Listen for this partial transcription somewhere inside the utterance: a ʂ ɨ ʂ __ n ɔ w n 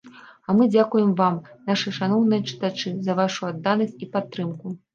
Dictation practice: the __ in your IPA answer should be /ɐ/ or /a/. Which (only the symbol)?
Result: a